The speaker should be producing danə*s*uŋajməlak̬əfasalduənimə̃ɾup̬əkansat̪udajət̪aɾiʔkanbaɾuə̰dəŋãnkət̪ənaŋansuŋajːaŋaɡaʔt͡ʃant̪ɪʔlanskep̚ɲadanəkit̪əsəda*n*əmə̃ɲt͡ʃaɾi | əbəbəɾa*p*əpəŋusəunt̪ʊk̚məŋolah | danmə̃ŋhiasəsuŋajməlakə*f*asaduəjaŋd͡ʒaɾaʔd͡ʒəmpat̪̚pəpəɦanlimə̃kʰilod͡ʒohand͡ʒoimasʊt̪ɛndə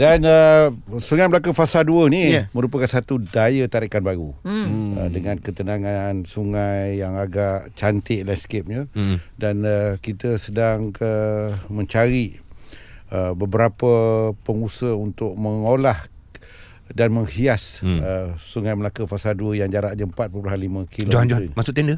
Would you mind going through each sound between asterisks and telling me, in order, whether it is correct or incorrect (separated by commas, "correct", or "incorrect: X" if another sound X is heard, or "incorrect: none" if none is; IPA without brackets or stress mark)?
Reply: correct, incorrect: ŋ, correct, correct